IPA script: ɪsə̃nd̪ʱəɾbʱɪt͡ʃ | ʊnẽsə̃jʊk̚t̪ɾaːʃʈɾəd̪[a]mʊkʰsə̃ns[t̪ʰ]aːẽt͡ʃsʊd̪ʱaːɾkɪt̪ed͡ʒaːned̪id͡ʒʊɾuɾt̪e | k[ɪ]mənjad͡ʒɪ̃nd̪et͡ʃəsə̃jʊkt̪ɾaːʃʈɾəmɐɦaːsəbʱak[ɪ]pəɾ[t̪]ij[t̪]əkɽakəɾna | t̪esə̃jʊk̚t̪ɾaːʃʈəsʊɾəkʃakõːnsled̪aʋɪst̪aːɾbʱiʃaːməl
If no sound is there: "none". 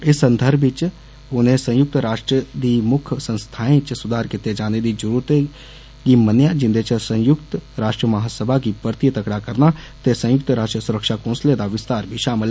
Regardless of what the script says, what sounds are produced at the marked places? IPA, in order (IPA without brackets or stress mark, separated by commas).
i, t̪ʰ, i, i, t̪, t̪